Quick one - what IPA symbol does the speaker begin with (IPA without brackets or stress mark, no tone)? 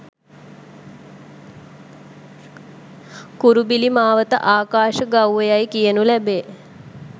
k